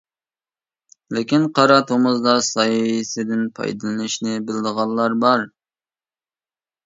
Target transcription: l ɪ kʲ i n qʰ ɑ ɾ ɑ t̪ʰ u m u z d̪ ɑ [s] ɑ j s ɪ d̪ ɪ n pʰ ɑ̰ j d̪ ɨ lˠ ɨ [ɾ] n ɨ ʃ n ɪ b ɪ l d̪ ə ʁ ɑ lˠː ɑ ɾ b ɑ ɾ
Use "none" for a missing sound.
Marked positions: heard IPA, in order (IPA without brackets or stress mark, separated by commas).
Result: s, none